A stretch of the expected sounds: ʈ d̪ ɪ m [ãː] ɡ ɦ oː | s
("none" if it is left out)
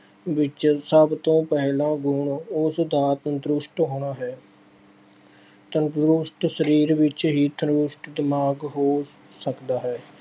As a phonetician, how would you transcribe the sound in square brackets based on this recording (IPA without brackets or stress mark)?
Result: aː